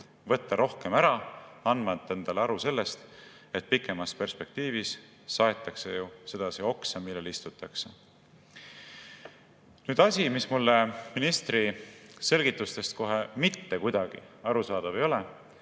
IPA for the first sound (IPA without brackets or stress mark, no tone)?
v